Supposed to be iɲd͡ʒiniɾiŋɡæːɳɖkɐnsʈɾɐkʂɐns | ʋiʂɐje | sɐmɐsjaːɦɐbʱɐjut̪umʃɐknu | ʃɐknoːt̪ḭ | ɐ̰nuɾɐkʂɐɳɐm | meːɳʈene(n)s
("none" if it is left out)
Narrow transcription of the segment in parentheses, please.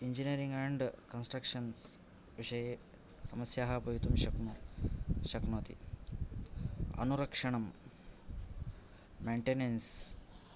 n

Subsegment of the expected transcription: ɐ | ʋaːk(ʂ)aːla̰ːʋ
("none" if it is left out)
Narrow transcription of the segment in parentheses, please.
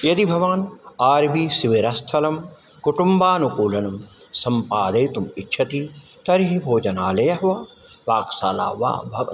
s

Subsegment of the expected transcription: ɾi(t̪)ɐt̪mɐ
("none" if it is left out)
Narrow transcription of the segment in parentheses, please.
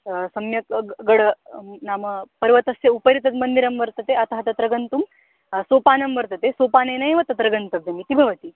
t̪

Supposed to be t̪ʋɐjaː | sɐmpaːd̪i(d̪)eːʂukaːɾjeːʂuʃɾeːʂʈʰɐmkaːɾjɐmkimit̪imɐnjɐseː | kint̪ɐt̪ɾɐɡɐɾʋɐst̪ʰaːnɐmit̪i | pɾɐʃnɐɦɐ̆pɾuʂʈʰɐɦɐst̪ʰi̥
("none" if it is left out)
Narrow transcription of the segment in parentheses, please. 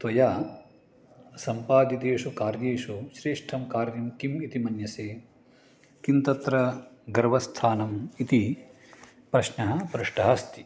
t̪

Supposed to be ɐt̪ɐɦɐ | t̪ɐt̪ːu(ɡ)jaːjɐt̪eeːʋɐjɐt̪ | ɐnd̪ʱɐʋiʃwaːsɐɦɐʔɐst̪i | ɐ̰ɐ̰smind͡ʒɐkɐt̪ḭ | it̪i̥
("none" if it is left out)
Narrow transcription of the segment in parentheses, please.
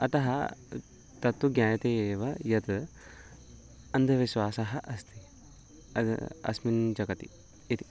ɡ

